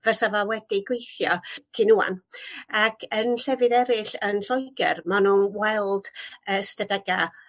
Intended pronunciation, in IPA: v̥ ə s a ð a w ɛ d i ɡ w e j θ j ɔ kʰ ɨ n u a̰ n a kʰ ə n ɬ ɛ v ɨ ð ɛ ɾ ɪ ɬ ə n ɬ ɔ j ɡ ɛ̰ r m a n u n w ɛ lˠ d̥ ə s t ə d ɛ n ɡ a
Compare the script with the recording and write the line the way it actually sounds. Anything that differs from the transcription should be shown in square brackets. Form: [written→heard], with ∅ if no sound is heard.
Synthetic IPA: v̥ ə s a [ð→v] a w ɛ d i ɡ w e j θ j ɔ kʰ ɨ n u a̰ n a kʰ ə n ɬ ɛ v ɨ ð ɛ ɾ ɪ ɬ ə n ɬ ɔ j ɡ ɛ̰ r m a n u n w ɛ lˠ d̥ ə s t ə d ɛ [n→∅] ɡ a